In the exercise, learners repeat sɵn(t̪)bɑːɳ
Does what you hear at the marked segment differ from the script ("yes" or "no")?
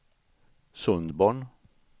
yes